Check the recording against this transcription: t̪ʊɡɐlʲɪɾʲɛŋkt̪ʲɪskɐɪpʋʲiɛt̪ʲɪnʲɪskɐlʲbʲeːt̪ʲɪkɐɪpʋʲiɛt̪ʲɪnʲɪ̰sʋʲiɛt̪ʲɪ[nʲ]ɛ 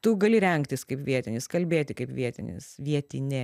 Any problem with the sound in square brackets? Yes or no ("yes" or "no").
no